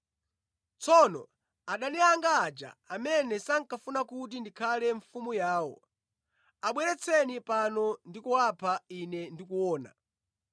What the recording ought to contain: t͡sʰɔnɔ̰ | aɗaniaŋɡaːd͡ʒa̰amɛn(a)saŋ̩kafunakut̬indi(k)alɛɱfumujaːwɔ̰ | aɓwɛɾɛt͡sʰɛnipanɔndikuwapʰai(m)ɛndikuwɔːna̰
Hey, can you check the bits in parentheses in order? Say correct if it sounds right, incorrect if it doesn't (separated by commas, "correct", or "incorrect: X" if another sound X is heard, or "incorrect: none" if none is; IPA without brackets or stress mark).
incorrect: ɛ, incorrect: kʰ, incorrect: n